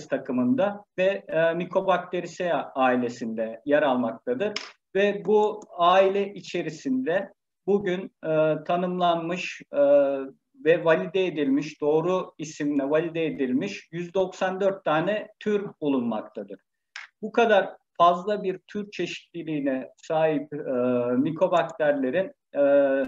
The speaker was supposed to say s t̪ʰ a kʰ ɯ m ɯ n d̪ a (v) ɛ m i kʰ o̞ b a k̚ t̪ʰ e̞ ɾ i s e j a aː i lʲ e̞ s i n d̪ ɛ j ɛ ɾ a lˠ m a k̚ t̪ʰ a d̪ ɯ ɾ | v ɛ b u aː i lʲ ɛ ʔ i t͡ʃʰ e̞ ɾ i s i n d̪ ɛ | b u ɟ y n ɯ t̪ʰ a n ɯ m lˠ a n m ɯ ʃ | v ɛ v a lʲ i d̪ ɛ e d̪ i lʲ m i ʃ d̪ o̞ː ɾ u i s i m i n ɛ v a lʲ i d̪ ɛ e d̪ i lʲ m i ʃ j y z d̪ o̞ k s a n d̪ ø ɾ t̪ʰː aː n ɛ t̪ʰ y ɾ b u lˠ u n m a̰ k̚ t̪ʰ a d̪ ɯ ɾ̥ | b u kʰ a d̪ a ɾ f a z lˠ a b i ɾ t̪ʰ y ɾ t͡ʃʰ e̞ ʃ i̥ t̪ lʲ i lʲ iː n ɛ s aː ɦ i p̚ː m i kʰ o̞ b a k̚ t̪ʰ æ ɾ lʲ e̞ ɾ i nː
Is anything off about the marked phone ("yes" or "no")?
no